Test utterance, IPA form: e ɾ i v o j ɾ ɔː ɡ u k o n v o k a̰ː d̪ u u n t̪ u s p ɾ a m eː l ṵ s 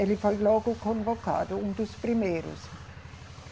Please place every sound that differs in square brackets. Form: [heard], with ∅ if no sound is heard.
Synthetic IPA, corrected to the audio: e [l] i [f] o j [l] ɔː ɡ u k o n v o k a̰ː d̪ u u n [d̪] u s p ɾ [i] m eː [ɾ] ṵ s